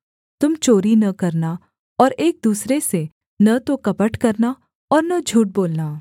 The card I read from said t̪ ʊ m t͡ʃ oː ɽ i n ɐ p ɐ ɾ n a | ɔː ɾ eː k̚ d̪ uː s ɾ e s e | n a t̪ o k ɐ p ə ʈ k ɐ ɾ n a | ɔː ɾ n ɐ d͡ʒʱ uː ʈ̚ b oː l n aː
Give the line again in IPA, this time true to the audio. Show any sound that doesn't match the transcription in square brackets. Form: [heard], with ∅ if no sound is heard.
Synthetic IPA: t̪ ʊ m t͡ʃ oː [ɾ] i n ɐ [k] ɐ ɾ n a | ɔː ɾ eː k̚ d̪ uː s ɾ e s e | n [ɐ] t̪ o k ɐ p ə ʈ k ɐ ɾ n a | ɔː ɾ n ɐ d͡ʒʱ uː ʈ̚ b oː l n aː